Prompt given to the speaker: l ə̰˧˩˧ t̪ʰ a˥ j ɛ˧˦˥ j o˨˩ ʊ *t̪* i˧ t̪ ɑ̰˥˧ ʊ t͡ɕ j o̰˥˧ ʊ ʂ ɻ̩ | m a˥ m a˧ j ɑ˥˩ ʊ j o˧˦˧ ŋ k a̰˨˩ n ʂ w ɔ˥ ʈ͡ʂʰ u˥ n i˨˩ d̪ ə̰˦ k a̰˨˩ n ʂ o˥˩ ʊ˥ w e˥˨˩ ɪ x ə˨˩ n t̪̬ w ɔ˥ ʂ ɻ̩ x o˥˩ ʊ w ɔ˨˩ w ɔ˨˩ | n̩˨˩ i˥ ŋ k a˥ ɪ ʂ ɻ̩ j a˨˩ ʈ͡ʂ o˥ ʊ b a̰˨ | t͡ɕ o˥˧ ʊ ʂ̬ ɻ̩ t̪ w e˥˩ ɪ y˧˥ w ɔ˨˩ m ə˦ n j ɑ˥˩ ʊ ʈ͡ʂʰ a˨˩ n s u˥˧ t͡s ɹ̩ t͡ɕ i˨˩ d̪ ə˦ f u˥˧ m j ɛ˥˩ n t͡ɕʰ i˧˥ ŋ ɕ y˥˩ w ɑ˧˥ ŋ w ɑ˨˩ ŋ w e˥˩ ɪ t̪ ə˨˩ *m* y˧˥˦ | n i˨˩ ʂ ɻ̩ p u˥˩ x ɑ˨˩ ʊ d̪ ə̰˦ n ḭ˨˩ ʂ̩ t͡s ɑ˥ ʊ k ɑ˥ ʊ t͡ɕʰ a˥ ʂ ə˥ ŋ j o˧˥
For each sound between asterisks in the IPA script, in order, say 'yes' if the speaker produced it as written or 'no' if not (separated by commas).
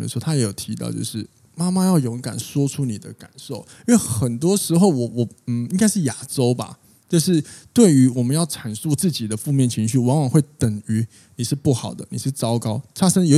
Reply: no, no